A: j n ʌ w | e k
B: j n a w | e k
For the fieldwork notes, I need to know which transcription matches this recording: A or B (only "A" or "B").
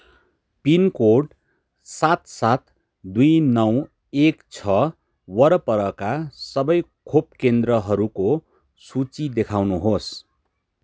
A